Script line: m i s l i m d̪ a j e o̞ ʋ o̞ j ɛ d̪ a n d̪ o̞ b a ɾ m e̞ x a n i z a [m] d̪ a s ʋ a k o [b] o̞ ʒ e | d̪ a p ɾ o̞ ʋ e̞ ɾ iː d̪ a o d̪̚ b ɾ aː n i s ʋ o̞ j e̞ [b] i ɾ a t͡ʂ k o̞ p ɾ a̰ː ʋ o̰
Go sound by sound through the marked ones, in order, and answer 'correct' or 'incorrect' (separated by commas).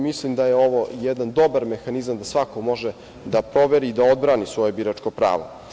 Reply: correct, incorrect, correct